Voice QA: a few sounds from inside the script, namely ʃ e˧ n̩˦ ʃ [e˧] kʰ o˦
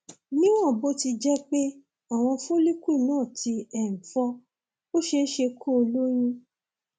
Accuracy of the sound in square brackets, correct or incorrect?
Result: correct